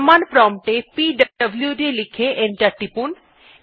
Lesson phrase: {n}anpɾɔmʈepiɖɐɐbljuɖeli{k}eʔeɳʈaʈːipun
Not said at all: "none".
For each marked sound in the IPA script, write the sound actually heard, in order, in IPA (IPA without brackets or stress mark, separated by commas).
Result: m, kʰ